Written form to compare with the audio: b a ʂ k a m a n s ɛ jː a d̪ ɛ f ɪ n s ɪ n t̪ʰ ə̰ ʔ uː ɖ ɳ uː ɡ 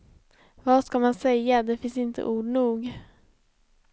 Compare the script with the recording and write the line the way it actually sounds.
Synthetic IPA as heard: v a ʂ k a m a n s ɛ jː a d̪ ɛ f ɪ n s ɪ n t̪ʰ ə̰ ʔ uː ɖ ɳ uː ɡ